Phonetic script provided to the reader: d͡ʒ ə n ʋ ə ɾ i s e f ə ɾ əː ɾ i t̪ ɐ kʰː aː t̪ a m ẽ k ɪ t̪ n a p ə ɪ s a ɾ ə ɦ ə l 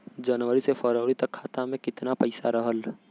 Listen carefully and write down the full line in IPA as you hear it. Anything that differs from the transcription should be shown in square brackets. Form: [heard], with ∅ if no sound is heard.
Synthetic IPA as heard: d͡ʒ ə n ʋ ə ɾ i s e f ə ɾ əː ɾ i t̪ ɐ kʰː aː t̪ a m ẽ k ɪ t̪ n a p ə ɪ s a ɾ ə ɦ ə l